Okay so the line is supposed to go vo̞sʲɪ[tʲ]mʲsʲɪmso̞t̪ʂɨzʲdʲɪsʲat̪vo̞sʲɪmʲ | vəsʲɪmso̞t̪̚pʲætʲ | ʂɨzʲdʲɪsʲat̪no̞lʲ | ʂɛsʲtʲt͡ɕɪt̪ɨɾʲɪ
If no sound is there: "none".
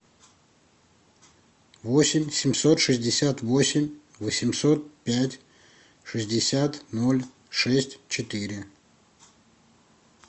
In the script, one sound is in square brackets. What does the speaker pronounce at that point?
none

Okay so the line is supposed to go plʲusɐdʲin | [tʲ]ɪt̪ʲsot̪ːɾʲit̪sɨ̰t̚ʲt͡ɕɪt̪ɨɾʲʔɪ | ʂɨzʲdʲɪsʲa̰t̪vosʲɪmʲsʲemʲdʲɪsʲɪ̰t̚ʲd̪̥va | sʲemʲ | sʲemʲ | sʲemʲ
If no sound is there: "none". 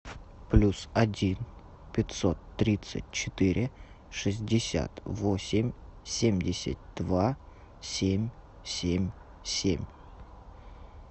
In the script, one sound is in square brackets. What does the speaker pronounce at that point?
pʲ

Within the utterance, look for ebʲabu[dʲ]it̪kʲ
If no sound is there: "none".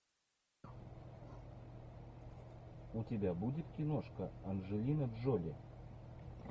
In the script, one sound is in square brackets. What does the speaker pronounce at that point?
dʲ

